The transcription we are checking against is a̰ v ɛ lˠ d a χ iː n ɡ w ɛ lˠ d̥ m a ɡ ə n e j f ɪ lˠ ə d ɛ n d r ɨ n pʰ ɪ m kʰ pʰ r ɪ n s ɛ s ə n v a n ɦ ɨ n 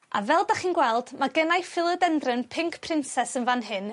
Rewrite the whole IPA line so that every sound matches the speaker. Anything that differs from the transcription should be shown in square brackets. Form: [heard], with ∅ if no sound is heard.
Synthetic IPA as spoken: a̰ v ɛ lˠ d a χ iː n ɡ w ɛ lˠ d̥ m a ɡ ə n [a] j f ɪ lˠ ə d ɛ n d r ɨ n pʰ ɪ [ŋ] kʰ pʰ r ɪ n s ɛ s ə n v a n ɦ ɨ n